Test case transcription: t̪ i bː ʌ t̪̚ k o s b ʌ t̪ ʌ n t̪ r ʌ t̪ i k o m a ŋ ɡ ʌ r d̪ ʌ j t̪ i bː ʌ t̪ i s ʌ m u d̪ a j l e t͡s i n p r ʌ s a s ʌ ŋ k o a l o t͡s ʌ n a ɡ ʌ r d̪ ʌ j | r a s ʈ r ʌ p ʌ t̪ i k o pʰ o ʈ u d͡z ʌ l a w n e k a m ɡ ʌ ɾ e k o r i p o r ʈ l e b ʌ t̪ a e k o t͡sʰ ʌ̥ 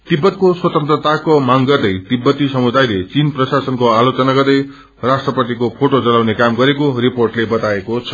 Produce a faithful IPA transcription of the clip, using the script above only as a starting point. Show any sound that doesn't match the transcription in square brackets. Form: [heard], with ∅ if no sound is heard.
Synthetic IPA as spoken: t̪ i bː ʌ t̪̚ k o s [w] ʌ t̪ ʌ n t̪ r ʌ t̪ [a] k o m a ŋ ɡ ʌ r d̪ ʌ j t̪ i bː ʌ t̪ i s ʌ m u d̪ a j l e t͡s i n p r ʌ s a s ʌ [n] k o a l o t͡s ʌ n a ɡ ʌ r d̪ ʌ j | r a s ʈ r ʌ p ʌ t̪ i k o pʰ o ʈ [o] d͡z ʌ l a w n e k a m ɡ ʌ ɾ e k o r i p o r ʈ l e b ʌ t̪ a e k o t͡sʰ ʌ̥